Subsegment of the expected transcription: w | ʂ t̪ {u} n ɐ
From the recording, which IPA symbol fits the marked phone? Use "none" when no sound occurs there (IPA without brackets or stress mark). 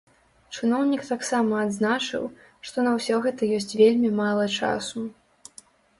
ɔ